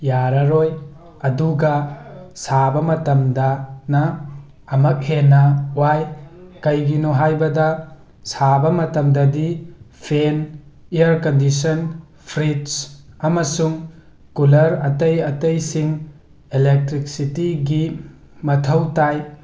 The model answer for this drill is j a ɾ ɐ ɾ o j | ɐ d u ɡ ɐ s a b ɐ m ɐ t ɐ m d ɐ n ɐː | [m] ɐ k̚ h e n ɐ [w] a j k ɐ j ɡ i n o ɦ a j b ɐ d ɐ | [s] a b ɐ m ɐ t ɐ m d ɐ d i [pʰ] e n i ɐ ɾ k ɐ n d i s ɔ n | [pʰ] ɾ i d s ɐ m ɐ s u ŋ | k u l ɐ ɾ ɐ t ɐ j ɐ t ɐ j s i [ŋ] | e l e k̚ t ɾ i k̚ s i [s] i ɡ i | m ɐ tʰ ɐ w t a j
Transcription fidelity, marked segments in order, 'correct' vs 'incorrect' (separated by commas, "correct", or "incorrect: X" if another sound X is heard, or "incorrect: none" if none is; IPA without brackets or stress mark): correct, correct, correct, correct, correct, correct, incorrect: t